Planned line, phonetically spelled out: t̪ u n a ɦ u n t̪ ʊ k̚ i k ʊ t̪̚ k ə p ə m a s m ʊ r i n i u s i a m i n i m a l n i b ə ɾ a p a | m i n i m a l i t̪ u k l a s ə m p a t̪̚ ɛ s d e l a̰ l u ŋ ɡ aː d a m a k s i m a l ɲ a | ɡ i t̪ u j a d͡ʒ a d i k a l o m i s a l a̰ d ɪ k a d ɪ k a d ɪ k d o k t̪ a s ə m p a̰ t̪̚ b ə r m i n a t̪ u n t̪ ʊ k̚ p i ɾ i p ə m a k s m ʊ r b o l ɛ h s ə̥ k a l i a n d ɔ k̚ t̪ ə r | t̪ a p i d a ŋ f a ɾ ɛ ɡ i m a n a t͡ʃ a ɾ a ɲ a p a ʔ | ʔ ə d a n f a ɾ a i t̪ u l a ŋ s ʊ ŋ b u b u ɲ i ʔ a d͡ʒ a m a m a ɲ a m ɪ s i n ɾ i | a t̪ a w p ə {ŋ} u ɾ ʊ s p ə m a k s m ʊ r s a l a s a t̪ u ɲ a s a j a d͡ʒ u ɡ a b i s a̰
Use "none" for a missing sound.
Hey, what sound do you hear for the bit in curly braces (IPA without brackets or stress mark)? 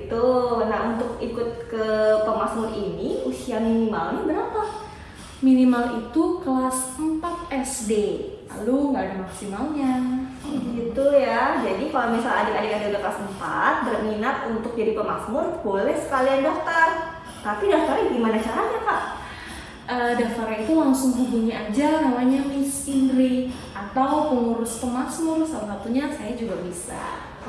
ŋ